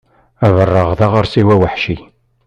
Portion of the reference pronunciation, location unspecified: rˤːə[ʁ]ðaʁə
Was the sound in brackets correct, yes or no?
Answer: yes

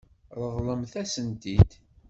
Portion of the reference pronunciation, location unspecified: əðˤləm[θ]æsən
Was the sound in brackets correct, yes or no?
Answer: yes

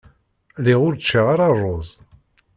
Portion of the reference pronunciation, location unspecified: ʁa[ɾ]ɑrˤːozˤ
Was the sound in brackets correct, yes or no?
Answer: yes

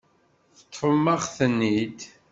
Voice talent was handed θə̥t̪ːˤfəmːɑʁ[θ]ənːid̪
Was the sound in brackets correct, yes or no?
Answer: yes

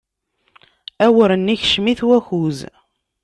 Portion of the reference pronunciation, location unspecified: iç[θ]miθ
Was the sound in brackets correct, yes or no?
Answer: no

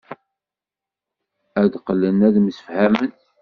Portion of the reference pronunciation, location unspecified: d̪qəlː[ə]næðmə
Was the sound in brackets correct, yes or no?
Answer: yes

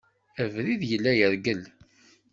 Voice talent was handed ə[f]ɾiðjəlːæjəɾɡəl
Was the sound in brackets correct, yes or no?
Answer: no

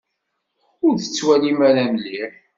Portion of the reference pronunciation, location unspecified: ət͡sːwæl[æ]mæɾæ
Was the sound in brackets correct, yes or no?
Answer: no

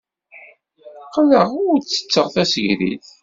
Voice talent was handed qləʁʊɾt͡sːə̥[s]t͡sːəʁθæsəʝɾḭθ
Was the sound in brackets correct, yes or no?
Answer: no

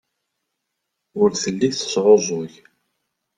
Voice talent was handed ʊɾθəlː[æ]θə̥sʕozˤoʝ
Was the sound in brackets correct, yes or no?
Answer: no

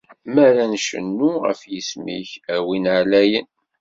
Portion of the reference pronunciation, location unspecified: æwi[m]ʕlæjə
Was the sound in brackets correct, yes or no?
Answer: no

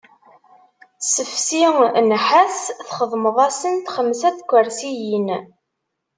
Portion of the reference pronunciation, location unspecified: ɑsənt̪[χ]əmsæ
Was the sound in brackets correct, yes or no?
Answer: yes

